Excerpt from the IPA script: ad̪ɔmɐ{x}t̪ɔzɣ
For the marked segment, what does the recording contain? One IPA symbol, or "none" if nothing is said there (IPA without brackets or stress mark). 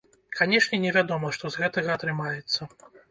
ʂ